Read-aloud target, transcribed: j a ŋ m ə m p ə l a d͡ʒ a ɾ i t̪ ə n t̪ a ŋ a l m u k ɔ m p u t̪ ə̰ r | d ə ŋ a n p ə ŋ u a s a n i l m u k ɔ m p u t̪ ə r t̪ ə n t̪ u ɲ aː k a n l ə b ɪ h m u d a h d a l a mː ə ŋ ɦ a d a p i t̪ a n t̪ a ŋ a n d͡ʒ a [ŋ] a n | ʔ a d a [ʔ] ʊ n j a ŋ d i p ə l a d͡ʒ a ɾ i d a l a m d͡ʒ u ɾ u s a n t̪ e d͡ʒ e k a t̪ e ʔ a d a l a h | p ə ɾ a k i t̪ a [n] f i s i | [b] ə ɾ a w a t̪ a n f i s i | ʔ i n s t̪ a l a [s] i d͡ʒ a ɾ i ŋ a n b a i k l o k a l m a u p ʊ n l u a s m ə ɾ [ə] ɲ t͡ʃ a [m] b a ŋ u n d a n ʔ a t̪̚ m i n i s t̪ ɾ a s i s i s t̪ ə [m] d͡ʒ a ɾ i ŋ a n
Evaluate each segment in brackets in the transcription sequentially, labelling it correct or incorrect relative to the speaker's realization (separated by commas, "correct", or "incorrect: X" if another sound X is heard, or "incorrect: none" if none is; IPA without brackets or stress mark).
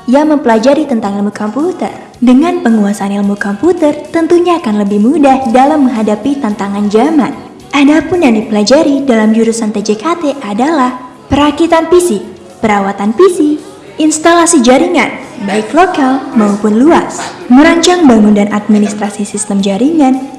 incorrect: m, incorrect: p, correct, incorrect: p, correct, incorrect: a, incorrect: ŋ, correct